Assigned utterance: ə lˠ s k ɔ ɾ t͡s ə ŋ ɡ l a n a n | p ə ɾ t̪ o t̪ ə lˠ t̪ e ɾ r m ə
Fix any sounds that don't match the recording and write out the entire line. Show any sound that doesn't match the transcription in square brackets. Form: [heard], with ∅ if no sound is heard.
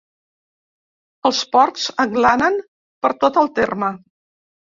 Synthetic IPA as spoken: ə lˠ s [p] ɔ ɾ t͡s ə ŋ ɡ l a n [ə] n | p ə ɾ t̪ o t̪ ə lˠ t̪ e [∅] r m ə